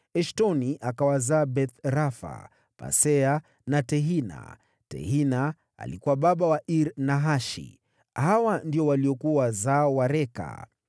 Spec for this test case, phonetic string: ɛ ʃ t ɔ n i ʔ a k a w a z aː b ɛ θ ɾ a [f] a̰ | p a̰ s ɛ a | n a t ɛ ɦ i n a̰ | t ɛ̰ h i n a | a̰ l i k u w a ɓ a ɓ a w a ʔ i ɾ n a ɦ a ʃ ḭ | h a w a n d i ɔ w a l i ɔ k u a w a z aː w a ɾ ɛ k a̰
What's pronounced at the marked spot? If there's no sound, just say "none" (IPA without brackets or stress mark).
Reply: f